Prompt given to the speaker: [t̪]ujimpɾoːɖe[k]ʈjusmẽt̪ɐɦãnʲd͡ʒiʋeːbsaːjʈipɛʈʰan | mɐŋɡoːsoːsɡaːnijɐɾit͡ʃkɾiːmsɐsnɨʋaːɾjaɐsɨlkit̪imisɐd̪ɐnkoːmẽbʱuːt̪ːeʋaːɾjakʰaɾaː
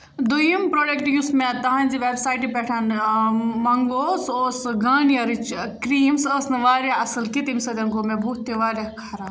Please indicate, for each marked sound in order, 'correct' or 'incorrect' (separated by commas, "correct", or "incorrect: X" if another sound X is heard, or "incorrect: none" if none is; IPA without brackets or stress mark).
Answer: incorrect: d̪, correct